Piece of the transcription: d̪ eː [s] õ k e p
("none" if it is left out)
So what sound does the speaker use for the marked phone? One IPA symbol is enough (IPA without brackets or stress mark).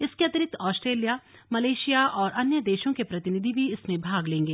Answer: ʃ